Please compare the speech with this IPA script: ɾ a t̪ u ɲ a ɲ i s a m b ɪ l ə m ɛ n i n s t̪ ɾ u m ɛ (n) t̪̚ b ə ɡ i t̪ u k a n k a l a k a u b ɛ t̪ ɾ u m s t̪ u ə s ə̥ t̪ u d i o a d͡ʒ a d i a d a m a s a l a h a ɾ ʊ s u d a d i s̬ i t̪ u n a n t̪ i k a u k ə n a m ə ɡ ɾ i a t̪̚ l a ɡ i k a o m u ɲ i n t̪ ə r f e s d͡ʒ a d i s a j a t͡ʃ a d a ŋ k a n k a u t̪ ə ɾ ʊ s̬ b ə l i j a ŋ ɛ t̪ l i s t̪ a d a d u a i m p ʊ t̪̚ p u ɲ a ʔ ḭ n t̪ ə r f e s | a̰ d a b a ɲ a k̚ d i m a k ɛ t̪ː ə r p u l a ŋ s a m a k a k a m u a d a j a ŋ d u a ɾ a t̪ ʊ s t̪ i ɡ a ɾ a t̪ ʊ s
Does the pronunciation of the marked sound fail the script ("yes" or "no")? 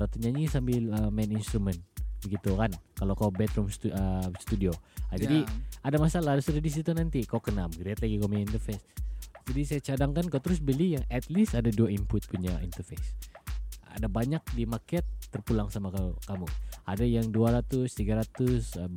no